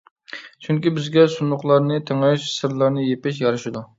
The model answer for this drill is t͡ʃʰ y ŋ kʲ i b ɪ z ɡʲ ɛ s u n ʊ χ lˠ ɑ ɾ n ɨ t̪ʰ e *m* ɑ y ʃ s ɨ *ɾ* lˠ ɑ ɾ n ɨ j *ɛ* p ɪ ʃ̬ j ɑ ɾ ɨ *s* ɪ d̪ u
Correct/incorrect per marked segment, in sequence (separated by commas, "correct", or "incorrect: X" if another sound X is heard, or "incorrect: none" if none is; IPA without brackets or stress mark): incorrect: ŋ, correct, incorrect: e, incorrect: ʃ